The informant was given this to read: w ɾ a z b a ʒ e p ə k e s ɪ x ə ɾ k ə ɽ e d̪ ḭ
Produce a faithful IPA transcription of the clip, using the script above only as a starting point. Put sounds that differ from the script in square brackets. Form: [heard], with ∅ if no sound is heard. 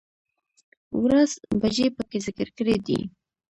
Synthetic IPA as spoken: w ɾ a z b a ʒ e p ə k e [z] ɪ [k] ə ɾ k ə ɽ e d̪ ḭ

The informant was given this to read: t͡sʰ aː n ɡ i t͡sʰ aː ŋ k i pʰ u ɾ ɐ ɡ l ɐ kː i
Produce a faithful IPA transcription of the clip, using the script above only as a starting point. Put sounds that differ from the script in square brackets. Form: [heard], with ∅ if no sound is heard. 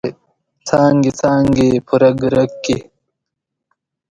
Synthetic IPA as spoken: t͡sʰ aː [ŋ] ɡ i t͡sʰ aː ŋ [ɡ] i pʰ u ɾ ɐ ɡ [ɾ] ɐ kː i

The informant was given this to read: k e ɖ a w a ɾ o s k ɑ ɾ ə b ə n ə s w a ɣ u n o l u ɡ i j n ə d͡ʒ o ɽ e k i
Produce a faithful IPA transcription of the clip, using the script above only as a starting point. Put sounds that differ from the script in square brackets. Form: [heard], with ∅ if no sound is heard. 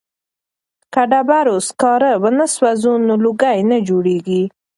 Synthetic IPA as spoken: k [a] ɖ a [b] a ɾ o s k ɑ ɾ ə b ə n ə s w a [z] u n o l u ɡ [a] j n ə d͡ʒ o ɽ e [ɡ] i

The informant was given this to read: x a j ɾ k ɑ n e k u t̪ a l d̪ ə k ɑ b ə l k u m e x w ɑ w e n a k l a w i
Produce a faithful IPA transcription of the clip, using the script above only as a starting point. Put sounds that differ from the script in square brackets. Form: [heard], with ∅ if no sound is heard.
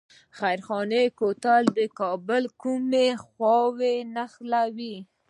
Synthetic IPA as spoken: x a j ɾ [x] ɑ n e k [o] t̪ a l d̪ ə k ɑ b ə l k u m e x w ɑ w e n a [x] l a w i

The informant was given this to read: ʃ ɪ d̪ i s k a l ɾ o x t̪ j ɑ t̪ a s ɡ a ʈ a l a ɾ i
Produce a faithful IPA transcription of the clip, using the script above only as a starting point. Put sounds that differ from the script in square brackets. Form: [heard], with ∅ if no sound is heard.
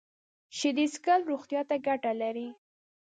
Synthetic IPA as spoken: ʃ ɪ d̪ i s k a l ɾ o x t̪ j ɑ t̪ a [∅] ɡ a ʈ a l a ɾ i

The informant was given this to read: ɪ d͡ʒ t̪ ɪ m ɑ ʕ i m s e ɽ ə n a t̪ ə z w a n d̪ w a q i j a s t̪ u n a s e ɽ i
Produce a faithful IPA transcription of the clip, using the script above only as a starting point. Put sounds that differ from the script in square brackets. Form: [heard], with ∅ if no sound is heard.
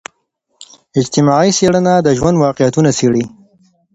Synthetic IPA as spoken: ɪ d͡ʒ t̪ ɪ m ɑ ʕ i [∅] s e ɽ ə n a [d̪] ə [ʒ] w a n d̪ w [ɑ] q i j a [∅] t̪ u n a s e ɽ i

